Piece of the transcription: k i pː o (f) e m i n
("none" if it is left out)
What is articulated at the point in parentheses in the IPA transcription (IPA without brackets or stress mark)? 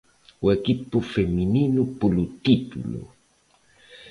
f